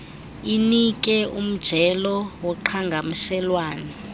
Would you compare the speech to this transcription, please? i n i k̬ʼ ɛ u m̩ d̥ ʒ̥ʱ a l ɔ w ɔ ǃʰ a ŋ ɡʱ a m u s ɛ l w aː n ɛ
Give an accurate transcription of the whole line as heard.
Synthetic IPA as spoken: i n i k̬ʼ ɛ u m̩ d̥ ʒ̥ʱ ɛ l ɔ w ɔ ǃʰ a ŋ ɡʱ a m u s ɛ l w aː n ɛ